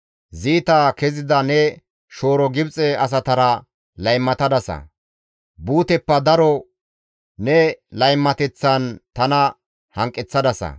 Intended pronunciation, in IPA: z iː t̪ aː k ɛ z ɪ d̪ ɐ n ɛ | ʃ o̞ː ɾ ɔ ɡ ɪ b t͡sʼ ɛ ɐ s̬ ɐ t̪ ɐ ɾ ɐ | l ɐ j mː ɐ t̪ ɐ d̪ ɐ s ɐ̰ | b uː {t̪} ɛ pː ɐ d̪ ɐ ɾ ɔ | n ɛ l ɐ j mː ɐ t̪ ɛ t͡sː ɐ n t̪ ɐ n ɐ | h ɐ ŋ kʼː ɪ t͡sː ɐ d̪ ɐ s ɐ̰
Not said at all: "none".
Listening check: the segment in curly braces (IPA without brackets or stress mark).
t̪